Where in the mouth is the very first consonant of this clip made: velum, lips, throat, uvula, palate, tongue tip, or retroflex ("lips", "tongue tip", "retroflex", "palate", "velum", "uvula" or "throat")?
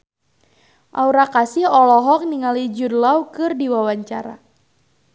throat